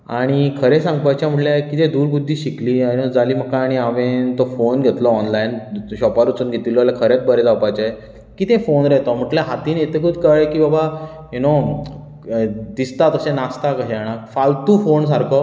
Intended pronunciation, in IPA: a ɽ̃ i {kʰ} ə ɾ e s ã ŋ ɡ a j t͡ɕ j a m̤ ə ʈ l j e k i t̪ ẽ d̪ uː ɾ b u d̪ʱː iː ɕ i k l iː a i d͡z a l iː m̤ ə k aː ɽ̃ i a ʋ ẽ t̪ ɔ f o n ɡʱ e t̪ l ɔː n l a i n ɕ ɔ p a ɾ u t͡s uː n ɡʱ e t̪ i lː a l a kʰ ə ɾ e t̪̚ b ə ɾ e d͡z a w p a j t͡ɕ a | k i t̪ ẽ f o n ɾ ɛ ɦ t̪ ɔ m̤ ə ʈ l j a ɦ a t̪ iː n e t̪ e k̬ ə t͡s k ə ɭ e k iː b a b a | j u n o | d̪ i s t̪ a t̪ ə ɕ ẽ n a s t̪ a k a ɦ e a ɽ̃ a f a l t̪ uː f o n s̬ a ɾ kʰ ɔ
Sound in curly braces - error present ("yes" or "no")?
no